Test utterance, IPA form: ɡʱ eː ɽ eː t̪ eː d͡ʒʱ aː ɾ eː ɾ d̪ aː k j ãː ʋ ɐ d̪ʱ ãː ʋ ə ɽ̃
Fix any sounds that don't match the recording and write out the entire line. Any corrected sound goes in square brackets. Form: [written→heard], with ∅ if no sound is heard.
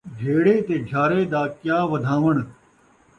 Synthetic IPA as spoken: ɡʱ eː ɽ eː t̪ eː d͡ʒʱ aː ɾ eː [ɾ→∅] d̪ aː k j [ãː→aː] ʋ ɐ d̪ʱ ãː ʋ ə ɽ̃